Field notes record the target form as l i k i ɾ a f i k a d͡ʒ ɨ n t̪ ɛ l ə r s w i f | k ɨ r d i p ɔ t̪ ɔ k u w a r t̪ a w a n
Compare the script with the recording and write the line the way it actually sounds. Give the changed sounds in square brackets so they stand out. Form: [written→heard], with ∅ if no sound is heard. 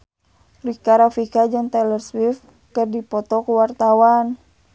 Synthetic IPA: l i k [i→a] ɾ a f i k a d͡ʒ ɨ [n→ŋ] t̪ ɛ l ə r s w i f | k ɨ r d i p ɔ t̪ ɔ k u w a r t̪ a w a n